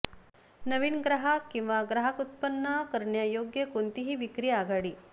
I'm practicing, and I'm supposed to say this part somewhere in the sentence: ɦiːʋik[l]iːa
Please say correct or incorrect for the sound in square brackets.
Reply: incorrect: ɾ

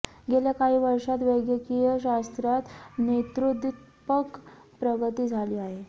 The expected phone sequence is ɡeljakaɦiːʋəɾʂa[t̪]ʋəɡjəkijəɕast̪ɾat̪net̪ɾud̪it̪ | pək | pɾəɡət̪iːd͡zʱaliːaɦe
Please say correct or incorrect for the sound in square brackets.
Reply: correct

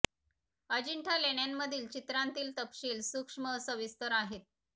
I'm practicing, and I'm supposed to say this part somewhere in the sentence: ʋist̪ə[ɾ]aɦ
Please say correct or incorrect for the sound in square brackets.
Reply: correct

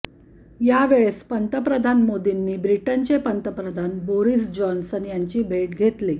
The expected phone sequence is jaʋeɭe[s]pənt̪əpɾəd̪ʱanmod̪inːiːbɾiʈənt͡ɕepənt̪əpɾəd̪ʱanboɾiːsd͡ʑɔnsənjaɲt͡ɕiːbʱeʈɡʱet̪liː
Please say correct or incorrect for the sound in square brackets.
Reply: correct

